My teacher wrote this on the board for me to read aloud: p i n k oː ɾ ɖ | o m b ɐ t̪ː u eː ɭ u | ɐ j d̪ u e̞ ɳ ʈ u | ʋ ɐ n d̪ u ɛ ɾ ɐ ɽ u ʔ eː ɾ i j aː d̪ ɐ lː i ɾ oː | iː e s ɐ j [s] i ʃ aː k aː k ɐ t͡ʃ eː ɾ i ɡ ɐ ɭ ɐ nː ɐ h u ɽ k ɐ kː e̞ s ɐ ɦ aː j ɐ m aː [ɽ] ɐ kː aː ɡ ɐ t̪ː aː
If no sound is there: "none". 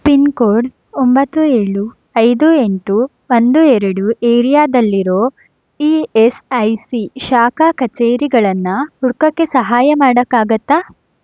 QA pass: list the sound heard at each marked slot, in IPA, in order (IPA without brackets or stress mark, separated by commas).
s, ɽ